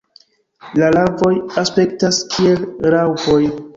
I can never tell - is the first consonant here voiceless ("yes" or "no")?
no